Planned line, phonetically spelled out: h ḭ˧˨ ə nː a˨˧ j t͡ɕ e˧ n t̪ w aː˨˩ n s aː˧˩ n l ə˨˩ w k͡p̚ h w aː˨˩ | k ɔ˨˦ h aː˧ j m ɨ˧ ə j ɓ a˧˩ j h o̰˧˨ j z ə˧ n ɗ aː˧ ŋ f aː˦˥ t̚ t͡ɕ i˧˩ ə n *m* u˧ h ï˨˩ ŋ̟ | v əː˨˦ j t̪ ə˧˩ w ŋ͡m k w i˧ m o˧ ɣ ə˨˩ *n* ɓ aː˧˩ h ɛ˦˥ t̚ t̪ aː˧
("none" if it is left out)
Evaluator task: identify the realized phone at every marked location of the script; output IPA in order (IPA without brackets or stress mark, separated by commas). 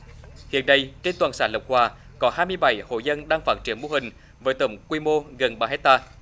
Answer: m, n